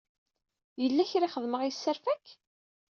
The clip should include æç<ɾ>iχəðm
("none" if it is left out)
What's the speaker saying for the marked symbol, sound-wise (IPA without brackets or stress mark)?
ɾ